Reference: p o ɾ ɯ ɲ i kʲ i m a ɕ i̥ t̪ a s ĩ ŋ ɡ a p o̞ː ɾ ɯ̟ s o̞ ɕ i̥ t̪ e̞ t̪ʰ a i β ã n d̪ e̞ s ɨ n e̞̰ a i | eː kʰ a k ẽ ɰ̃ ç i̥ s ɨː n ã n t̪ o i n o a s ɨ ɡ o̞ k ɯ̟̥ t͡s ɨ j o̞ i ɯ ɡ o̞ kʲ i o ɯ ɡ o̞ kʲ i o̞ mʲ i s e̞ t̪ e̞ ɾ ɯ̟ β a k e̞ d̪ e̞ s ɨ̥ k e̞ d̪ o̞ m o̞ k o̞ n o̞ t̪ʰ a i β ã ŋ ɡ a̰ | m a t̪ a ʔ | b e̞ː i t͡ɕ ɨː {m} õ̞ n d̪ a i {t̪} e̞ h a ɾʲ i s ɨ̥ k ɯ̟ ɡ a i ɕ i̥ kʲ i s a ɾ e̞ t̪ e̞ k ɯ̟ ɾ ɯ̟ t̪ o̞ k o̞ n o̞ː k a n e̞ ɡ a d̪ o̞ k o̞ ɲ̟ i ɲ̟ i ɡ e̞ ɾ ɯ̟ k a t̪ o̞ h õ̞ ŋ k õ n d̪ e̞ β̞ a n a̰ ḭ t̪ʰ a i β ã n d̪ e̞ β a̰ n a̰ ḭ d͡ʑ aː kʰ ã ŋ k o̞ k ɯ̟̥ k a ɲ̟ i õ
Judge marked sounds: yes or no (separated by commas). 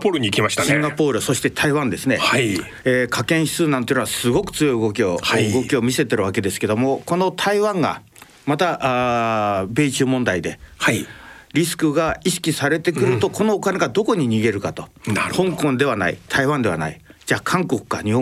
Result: yes, no